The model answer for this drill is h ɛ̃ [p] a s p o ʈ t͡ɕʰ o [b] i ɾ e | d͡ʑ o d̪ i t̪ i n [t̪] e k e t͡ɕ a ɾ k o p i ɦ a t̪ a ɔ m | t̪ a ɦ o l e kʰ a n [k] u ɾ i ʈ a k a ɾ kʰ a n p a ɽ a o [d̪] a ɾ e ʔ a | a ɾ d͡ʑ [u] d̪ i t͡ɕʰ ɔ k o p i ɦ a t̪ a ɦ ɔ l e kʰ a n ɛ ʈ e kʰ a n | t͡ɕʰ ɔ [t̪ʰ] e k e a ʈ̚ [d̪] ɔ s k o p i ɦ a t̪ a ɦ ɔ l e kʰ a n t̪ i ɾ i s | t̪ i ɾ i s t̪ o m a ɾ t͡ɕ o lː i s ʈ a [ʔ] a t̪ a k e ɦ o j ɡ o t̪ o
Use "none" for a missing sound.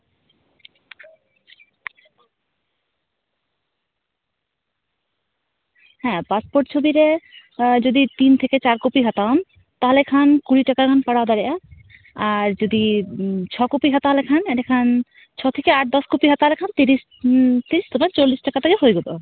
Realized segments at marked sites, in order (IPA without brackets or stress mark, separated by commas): p, b, t̪ʰ, k, d̪, o, t̪ʰ, d̪, k